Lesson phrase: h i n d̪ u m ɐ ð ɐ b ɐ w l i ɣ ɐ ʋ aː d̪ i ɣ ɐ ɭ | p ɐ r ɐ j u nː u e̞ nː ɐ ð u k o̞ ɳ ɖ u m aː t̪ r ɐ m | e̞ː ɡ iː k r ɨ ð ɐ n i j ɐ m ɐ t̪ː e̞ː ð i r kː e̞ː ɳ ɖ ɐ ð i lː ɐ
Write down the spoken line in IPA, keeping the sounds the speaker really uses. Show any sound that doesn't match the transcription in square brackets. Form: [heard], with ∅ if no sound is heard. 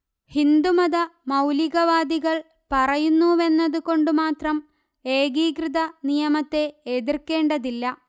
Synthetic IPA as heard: h i n d̪ u m ɐ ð ɐ [m] ɐ w l i ɣ ɐ ʋ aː d̪ i ɣ ɐ ɭ | p ɐ r ɐ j u nː u e̞ nː ɐ ð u k o̞ ɳ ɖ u m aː t̪ r ɐ m | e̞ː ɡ iː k r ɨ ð ɐ n i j ɐ m ɐ t̪ː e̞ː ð i r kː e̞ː ɳ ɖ ɐ ð i lː ɐ